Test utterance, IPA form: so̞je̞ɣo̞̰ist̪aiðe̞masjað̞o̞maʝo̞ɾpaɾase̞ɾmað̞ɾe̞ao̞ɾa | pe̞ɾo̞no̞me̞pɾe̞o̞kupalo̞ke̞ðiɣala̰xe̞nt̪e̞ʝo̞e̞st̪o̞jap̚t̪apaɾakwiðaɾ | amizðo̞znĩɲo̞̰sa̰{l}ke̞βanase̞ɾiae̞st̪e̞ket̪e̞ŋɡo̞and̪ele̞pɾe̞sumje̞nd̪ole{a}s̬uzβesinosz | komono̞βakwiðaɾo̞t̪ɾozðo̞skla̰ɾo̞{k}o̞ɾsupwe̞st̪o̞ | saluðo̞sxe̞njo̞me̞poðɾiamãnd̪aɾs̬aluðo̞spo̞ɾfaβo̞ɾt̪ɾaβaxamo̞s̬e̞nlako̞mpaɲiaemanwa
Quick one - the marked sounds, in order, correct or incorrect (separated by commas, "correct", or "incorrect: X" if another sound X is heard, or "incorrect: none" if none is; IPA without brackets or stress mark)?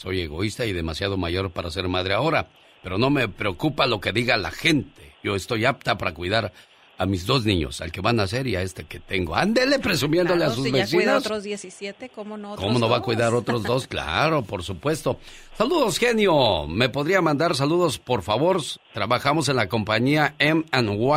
correct, correct, incorrect: p